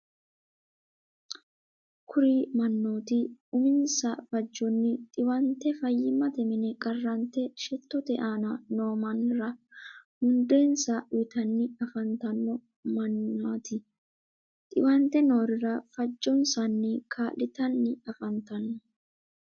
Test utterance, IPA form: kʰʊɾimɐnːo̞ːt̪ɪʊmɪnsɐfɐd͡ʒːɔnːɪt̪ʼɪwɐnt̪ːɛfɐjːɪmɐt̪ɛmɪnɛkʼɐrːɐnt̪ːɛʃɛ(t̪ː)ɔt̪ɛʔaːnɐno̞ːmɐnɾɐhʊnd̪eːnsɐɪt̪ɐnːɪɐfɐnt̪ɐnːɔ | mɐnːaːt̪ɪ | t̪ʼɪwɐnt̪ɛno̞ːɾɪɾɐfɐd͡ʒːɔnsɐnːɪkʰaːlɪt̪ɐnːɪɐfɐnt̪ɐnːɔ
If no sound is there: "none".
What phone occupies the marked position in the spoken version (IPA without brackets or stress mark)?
t̪ː